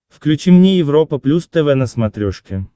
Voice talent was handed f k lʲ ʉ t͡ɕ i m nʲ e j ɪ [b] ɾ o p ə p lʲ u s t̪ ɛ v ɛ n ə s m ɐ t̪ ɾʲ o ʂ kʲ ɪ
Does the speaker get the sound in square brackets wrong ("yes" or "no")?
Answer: yes